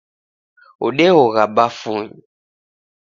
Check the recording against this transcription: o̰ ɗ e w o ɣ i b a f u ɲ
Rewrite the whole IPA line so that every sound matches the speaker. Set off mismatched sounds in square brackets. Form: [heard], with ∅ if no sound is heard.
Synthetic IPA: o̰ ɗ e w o ɣ [a] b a f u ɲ